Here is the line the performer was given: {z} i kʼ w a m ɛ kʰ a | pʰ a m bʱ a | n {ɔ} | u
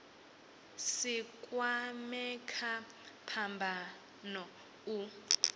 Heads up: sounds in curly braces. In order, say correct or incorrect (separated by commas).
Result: incorrect, correct